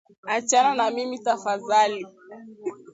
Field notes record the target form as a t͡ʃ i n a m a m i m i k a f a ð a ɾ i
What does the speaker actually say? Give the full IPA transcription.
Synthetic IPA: a t͡ʃ a n a n a m i m i t a f a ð a l i

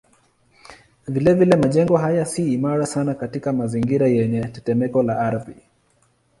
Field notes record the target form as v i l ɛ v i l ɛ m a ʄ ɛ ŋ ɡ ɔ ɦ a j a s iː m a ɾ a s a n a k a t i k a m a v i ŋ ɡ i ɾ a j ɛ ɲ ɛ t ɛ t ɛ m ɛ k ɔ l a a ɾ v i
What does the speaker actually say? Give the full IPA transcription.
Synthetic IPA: v i l ɛ v i l ɛ m a ʄ ɛ ŋ ɡ ɔ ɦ a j a s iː m a ɾ a s a n a k a t i k a m a z i ŋ ɡ i ɾ a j ɛ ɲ ɛ t ɛ t ɛ m ɛ k ɔ l a a ɾ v i

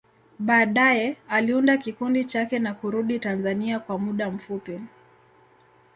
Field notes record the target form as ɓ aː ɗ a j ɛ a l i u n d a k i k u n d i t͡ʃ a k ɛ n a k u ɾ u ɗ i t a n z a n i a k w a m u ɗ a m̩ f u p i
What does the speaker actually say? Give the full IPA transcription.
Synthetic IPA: ɓ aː ɗ a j ɛ a l i u n d a k i k u n d i t͡ʃ a k ɛ n a k u ɾ u ɗ i t a n z a n i a k w a m u ɗ a m̩ f u p i

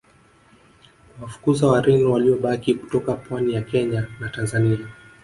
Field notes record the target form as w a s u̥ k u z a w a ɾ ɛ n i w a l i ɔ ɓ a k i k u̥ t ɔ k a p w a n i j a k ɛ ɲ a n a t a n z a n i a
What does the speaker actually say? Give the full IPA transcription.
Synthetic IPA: w a f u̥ k u z a w a ɾ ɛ n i w a l i ɔ ɓ a k i k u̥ t ɔ k a p w a n i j a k ɛ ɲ a n a t a n z a n i a

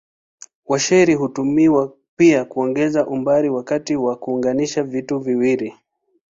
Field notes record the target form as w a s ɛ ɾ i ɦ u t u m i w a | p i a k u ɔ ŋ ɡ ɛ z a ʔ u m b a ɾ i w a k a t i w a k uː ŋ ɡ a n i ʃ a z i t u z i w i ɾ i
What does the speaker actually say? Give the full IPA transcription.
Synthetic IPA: w a ʃ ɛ ɾ i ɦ u t u m i w a | p i a k u ɔ ŋ ɡ ɛ z a ʔ u m b a ɾ i w a k a t i w a k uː ŋ ɡ a n i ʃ a v i t u v i w i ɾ i

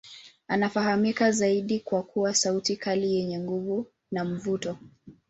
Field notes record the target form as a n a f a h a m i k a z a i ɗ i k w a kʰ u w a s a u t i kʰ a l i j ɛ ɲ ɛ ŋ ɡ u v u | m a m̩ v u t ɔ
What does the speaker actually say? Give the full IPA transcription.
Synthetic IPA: a n a f a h a m i k a z a i ɗ i k w a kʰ u w a s a u t i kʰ a l i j ɛ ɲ ɛ ŋ ɡ u v u | n a m̩ v u t ɔ

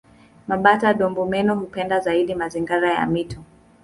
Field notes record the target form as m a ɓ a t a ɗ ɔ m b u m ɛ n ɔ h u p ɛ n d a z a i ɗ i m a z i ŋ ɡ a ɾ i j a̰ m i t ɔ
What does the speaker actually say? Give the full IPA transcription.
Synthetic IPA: m a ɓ a t a ɗ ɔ m b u m ɛ n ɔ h u p ɛ n d a z a i ɗ i m a z i ŋ ɡ a ɾ a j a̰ m i t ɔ

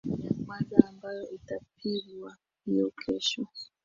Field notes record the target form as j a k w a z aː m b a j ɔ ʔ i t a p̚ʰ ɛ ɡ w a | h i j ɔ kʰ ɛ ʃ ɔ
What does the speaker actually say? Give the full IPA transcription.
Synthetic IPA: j a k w a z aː m b a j ɔ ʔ i t a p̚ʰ i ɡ w a | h i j ɔ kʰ ɛ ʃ ɔ

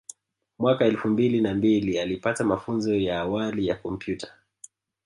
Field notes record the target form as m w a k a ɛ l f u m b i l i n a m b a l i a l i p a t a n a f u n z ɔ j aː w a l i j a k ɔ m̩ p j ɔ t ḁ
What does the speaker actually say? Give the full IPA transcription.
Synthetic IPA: m w a k a ɛ l f u m b i l i n a m b i l i a l i p a t a m a f u n z ɔ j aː w a l i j a k ɔ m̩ p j u t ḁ

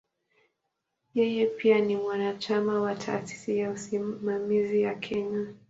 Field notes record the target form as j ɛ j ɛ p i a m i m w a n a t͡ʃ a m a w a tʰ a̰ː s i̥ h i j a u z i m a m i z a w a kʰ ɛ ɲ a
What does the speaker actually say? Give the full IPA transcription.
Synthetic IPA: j ɛ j ɛ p i a n i m w a n a t͡ʃ a m a w a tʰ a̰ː s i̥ s i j a u s i m a m i z i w a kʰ ɛ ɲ a

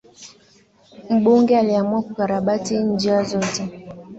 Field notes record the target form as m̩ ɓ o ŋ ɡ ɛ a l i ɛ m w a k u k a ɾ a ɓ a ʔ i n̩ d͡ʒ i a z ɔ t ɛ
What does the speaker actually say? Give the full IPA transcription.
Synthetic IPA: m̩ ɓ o ŋ ɡ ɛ a l i a m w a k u k a ɾ a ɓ a t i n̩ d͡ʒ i a z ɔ t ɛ

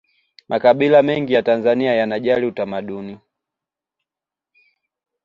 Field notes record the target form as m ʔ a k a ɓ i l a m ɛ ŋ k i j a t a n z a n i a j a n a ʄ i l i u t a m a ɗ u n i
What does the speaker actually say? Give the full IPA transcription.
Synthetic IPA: m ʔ a k a ɓ i l a m ɛ ŋ ɡ i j a t a n z a n i a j a n a ʄ a l i u t a m a ɗ u n i

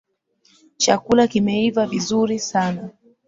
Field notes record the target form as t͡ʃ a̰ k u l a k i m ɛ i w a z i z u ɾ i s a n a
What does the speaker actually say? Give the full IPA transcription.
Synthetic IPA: t͡ʃ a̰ k u l a k i m ɛ i v a v i z u ɾ i s a n a

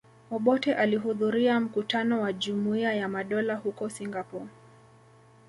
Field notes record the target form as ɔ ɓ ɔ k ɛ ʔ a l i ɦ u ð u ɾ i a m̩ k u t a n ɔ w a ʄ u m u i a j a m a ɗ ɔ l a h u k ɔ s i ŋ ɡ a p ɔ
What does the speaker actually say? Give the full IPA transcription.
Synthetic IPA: ɔ ɓ ɔ t ɛ ʔ a l i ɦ u ð u ɾ i a m̩ k u t a n ɔ w a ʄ u m u i a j a m a ɗ ɔ l a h u k ɔ s i ŋ ɡ a p ɔ

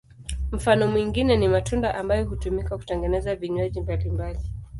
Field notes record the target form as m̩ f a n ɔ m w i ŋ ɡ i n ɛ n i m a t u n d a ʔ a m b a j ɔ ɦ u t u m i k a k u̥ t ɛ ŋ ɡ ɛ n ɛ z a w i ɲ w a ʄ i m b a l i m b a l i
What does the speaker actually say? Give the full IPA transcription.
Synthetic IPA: m̩ f a n ɔ m w i ŋ ɡ i n ɛ n i m a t u n d a ʔ a m b a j ɔ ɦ u t u m i k a k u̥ t ɛ ŋ ɡ ɛ n ɛ z a v i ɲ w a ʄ i m b a l i m b a l i

